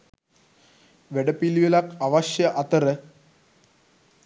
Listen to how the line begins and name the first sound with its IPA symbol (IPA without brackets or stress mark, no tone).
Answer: ʋ